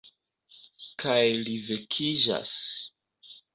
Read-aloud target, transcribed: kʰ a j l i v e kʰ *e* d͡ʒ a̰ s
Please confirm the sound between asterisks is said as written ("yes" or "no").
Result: no